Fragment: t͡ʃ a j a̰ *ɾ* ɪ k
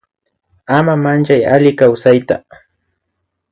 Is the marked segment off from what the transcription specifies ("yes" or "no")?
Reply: yes